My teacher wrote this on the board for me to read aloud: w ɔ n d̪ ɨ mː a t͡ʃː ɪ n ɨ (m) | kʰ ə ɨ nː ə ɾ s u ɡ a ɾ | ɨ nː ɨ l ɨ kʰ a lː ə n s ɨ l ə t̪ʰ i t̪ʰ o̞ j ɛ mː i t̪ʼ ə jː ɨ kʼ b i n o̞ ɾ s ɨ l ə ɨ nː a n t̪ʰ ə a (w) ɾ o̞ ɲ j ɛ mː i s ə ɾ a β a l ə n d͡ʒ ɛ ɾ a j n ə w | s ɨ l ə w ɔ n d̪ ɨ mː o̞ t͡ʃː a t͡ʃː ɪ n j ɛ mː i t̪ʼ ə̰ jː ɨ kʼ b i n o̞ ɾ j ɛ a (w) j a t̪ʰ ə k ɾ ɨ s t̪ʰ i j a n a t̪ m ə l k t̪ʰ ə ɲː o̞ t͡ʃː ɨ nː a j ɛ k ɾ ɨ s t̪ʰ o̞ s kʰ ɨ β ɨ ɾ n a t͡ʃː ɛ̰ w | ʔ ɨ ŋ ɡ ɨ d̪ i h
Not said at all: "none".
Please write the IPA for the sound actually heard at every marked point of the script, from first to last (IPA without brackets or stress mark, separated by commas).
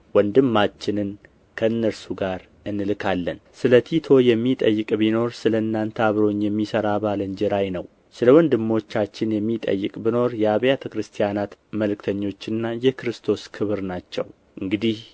n, β, β